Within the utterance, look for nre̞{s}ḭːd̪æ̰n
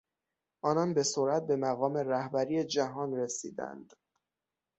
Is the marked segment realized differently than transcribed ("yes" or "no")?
no